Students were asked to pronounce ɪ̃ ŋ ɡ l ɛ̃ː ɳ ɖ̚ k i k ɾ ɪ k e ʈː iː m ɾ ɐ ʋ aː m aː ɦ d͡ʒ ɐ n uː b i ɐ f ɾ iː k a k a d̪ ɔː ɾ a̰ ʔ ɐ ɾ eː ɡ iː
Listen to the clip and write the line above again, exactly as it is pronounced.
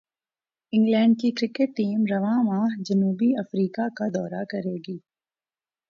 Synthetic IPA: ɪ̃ ŋ ɡ l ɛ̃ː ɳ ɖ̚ k i k ɾ ɪ k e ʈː iː m ɾ ɐ ʋ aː m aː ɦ d͡ʒ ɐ n uː b i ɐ f ɾ iː k a k a d̪ ɔː ɾ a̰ k ɐ ɾ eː ɡ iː